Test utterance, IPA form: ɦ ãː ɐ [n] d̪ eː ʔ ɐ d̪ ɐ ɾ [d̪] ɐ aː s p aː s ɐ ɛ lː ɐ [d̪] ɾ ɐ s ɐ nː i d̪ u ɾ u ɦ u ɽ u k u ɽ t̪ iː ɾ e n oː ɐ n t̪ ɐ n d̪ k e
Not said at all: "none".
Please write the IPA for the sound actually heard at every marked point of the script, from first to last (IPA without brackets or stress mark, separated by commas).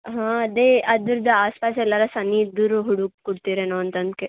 none, d̪, none